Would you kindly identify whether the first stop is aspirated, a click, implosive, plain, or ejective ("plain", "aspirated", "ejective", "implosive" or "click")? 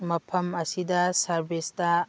aspirated